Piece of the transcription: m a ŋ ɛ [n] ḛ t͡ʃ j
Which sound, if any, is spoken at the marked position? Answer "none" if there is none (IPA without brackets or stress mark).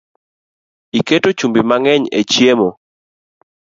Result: ɲ